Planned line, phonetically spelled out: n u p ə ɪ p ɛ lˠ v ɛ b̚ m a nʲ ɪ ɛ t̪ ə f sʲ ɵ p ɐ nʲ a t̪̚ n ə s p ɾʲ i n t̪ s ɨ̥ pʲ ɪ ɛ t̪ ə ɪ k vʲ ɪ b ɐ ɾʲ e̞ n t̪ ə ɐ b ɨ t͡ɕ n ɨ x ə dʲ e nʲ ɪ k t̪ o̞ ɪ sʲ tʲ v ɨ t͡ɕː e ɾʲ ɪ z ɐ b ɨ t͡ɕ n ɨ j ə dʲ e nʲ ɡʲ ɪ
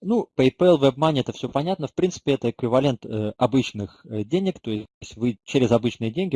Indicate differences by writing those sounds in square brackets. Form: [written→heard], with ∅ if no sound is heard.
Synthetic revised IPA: n u p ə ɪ p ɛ lˠ v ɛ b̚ m a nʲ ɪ ɛ t̪ ə f sʲ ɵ p ɐ nʲ a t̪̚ n ə [s→f] p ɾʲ i n t̪ s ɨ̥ pʲ ɪ ɛ t̪ ə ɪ k vʲ ɪ [b→v] ɐ [ɾʲ→lʲ] e̞ n t̪ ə ɐ b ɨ t͡ɕ n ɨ x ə dʲ e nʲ ɪ k t̪ o̞ ɪ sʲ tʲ v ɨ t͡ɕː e ɾʲ ɪ z ɐ b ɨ t͡ɕ n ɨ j ə dʲ e nʲ ɡʲ ɪ